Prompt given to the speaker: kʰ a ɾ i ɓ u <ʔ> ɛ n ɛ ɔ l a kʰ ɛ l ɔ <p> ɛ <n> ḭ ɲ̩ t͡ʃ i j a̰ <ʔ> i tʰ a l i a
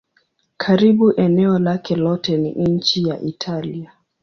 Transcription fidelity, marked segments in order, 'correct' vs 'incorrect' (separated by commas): correct, incorrect, correct, correct